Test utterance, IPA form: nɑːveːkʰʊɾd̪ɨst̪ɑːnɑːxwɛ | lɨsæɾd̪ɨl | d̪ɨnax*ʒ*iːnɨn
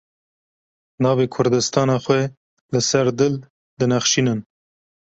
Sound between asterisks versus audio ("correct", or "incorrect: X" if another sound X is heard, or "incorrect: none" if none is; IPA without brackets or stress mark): incorrect: ʃ